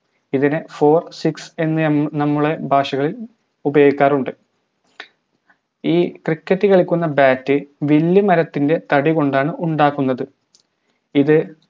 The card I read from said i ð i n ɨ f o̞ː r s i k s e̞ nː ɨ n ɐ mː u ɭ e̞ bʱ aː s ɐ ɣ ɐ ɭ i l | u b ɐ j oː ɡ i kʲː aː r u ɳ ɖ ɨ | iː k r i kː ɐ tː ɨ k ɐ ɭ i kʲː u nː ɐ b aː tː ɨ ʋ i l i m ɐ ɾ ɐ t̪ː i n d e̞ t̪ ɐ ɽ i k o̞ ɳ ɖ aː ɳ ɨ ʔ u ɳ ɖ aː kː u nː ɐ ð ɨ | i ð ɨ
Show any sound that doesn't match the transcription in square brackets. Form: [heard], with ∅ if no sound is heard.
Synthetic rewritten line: i ð i n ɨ f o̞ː r s i k s e̞ nː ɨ n ɐ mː u ɭ e̞ bʱ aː [ʂ] ɐ ɣ ɐ ɭ i l | u b ɐ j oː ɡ i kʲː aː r u ɳ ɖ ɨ | iː k r i kː ɐ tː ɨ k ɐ ɭ i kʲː u nː ɐ b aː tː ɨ ʋ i [lː] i m ɐ ɾ ɐ t̪ː i n d e̞ t̪ ɐ ɽ i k o̞ ɳ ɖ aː ɳ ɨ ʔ u ɳ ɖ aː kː u nː ɐ ð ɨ | i ð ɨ